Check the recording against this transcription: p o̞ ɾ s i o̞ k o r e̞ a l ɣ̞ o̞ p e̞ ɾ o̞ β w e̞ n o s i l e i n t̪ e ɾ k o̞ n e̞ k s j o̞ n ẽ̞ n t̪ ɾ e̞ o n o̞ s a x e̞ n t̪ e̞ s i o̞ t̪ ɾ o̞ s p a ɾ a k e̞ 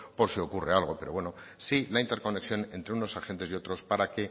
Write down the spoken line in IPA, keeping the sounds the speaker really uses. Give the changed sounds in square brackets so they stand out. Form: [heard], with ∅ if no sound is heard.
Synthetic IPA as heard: p o̞ ɾ s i o̞ k [u] r e̞ a l ɣ̞ o̞ p e̞ ɾ o̞ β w e̞ n o s i l [a] i n t̪ e ɾ k o̞ n e̞ k s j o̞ n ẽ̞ n t̪ ɾ e̞ [u] n o̞ s a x e̞ n t̪ e̞ s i o̞ t̪ ɾ o̞ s p a ɾ a k e̞